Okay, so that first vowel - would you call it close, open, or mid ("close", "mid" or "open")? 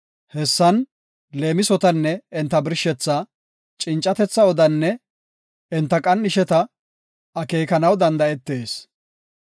mid